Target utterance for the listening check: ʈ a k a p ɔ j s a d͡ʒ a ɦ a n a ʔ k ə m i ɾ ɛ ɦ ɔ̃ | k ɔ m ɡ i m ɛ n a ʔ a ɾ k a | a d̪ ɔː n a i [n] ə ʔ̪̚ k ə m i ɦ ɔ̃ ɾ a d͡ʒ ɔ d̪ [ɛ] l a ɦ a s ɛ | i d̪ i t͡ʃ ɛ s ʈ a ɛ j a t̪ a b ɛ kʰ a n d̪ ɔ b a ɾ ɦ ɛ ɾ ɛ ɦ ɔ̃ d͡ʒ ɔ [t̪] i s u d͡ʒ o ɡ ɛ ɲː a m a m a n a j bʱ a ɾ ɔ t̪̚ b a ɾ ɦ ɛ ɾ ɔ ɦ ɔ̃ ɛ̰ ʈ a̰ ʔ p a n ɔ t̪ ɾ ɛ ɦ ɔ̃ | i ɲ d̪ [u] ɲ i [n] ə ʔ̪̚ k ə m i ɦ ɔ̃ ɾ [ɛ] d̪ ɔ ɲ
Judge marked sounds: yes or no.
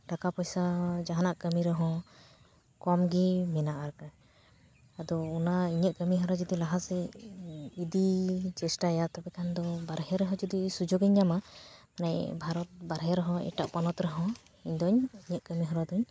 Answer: no, no, no, no, no, no

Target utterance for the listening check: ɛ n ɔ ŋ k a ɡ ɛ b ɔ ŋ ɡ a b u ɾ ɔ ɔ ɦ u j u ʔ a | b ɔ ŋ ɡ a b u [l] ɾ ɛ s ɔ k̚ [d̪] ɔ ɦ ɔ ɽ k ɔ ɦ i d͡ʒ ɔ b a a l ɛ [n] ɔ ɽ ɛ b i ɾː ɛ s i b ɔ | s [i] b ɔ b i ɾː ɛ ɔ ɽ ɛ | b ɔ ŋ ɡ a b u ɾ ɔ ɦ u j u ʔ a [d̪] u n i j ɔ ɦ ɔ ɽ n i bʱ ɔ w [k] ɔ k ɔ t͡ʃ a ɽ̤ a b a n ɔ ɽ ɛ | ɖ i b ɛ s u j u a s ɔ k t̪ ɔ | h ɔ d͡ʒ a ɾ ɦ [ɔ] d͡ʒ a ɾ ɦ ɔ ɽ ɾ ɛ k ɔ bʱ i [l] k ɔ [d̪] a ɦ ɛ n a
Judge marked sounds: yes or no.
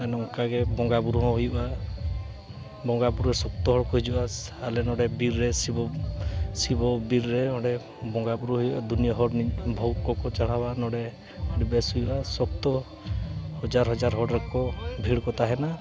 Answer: no, no, yes, yes, yes, yes, yes, no, no

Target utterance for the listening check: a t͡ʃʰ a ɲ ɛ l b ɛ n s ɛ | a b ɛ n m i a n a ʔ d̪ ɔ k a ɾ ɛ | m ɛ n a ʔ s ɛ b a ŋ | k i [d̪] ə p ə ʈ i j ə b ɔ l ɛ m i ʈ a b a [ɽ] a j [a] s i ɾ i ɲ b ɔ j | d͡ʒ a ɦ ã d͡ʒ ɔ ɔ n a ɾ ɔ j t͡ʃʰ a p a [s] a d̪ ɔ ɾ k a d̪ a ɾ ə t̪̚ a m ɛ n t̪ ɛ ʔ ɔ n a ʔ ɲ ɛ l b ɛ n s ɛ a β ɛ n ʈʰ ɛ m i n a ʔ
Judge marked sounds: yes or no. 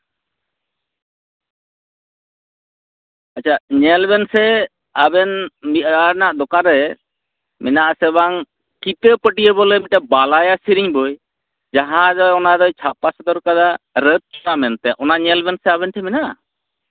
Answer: no, no, yes, yes

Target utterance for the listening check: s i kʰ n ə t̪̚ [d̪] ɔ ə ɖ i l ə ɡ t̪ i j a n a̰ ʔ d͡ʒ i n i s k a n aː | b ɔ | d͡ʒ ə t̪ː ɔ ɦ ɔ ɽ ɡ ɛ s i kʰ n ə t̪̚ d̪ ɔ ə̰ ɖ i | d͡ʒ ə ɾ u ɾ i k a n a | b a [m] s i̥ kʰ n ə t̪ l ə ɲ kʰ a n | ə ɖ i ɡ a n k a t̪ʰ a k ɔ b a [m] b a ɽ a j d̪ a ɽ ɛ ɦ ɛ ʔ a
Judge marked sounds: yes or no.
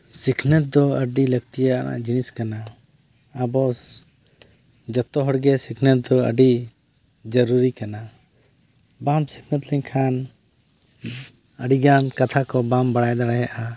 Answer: yes, yes, yes

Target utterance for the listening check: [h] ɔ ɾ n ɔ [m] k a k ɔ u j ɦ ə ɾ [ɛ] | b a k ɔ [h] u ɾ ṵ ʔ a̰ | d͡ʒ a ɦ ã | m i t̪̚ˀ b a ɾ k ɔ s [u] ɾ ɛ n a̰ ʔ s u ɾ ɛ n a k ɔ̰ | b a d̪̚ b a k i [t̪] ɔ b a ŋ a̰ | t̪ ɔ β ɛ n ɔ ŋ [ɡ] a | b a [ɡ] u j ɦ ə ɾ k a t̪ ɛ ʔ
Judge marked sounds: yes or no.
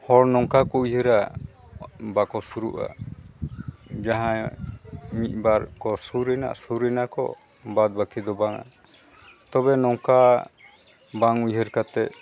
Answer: yes, no, no, no, yes, no, no, no

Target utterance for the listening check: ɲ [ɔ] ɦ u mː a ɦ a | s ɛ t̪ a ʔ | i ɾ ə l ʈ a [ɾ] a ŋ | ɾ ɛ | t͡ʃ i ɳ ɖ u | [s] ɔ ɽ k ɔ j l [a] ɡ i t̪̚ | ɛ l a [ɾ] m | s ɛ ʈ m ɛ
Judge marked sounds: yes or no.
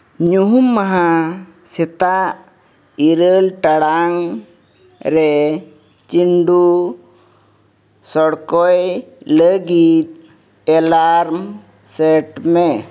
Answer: no, no, yes, no, yes

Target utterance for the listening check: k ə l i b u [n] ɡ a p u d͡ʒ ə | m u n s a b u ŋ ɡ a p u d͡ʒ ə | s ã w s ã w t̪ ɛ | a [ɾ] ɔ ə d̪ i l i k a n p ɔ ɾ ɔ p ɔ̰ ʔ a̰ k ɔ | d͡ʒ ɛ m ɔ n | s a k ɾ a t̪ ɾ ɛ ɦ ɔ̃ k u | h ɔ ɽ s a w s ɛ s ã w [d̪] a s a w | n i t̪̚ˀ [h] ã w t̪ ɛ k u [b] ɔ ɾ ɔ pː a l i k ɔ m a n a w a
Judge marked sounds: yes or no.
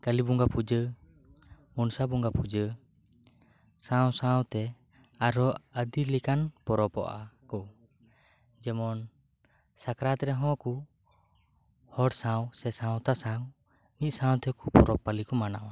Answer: no, yes, no, no, no

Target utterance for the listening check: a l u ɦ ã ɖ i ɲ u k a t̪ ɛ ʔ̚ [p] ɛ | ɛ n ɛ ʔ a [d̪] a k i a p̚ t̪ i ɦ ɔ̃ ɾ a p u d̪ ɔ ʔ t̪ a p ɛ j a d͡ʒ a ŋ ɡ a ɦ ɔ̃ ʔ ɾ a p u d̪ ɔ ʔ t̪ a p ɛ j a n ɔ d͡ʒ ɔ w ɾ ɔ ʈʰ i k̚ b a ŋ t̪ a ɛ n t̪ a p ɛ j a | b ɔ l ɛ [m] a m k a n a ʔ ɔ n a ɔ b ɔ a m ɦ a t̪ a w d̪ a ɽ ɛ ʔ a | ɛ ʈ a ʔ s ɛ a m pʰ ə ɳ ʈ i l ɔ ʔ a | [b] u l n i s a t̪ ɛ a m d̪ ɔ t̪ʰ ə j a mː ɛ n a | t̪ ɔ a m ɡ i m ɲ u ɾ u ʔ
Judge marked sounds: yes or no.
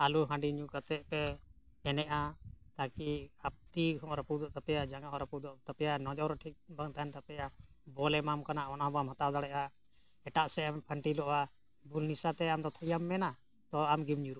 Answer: yes, no, yes, yes

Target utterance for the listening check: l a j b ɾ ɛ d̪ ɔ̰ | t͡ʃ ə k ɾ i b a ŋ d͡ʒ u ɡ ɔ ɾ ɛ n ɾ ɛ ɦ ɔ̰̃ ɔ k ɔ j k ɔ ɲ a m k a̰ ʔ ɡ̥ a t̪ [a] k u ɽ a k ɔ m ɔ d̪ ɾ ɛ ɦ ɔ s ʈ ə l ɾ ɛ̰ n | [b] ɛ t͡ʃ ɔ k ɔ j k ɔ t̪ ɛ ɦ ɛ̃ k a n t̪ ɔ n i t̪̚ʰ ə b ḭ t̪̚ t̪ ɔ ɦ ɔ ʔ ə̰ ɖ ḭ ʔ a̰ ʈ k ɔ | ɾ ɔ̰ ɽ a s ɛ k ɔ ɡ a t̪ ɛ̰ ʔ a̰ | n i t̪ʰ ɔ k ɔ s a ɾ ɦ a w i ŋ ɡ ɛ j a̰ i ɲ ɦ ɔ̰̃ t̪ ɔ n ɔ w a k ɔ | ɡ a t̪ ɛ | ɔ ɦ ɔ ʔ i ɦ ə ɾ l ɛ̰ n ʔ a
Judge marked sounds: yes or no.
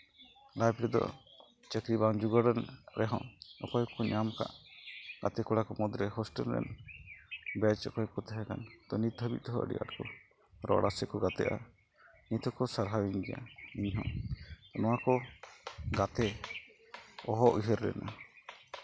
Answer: no, yes

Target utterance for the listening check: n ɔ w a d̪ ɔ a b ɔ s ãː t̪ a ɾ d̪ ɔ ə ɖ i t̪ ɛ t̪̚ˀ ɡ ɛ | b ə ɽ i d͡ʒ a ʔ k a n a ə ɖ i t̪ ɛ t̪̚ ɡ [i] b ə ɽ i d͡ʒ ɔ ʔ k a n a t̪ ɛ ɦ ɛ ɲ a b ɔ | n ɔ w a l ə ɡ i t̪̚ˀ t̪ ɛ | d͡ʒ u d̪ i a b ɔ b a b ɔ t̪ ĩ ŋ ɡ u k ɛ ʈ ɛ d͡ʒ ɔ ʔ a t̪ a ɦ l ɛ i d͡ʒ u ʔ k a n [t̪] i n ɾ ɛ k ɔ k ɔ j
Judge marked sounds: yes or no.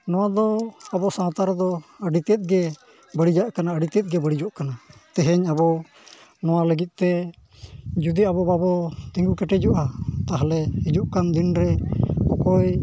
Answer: no, no

